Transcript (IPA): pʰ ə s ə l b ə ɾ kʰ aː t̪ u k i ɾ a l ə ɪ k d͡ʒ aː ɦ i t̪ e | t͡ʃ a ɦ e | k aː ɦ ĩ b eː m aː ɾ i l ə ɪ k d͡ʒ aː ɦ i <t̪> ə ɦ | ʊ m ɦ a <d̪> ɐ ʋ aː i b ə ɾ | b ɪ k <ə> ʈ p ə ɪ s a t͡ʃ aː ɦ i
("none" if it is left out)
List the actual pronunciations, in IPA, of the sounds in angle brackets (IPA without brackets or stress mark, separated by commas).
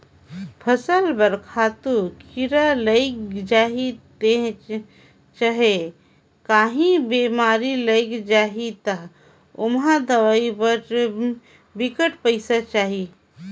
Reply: t̪, d̪, ə